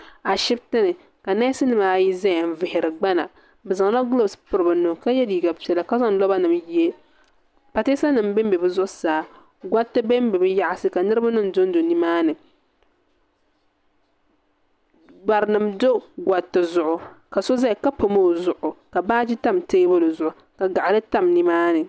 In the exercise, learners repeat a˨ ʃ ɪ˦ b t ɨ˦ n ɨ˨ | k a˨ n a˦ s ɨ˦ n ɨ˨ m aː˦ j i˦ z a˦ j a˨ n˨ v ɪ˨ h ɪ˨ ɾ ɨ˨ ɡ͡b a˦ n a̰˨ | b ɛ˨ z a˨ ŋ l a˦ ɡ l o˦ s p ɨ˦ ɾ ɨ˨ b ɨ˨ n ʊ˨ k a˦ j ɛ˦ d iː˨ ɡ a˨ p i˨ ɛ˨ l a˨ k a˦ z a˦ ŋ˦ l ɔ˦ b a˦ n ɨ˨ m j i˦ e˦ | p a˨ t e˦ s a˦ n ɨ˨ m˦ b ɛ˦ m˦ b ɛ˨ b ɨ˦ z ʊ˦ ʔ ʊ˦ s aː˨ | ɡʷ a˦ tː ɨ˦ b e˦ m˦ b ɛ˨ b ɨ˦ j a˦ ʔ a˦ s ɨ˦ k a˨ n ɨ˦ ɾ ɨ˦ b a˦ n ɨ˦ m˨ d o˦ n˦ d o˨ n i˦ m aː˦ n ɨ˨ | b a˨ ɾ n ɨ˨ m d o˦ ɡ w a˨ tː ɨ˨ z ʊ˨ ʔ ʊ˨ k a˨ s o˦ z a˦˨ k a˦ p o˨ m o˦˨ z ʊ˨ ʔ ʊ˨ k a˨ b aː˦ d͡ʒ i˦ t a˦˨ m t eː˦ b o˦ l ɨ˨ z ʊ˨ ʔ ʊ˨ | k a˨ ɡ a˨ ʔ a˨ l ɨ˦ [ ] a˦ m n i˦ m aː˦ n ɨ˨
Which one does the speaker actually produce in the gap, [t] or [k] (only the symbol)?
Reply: t